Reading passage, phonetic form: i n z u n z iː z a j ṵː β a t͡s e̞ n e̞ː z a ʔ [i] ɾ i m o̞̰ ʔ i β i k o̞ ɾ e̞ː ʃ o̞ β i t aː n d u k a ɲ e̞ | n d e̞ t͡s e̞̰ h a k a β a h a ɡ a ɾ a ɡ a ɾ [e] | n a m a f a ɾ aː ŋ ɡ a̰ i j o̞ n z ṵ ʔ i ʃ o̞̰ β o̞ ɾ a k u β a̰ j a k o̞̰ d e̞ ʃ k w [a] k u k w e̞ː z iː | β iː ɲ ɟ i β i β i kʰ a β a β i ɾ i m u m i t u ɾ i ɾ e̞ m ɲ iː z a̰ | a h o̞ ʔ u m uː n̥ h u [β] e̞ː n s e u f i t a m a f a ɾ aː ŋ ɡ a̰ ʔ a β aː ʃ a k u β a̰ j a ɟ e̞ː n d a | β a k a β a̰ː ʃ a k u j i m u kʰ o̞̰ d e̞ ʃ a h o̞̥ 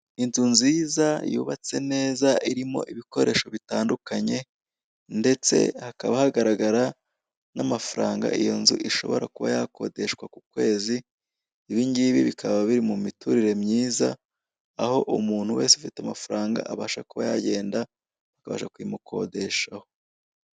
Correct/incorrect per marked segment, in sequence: correct, incorrect, correct, incorrect

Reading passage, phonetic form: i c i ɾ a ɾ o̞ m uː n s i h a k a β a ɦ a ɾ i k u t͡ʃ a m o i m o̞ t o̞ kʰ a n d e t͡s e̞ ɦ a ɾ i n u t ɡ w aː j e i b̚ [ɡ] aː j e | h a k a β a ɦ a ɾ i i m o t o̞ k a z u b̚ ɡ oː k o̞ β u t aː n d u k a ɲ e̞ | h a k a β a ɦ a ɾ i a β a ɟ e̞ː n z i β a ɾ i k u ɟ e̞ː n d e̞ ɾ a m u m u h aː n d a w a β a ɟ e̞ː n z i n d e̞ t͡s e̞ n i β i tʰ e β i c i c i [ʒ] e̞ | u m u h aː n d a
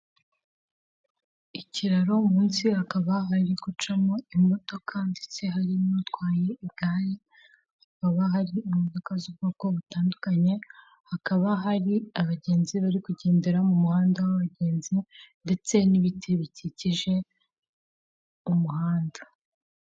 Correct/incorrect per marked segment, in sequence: correct, correct

